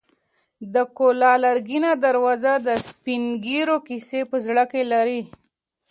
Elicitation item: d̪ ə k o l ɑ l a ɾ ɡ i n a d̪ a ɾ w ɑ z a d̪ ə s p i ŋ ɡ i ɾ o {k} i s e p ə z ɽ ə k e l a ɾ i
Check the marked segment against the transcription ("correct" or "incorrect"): correct